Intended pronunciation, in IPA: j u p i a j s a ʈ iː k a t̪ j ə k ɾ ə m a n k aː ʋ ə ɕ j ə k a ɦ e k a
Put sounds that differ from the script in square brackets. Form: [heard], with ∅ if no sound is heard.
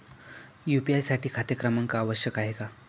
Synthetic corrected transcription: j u p i a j s a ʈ iː [kʰ] a t̪ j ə k ɾ ə m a [ŋ] k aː ʋ ə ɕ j ə k a ɦ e k a